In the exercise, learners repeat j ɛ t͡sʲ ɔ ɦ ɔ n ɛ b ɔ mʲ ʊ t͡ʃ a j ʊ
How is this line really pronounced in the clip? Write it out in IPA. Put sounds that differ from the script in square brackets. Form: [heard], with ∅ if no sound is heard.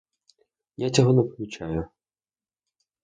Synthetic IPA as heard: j [a] t͡sʲ ɔ ɦ ɔ n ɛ [p] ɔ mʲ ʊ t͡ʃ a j ʊ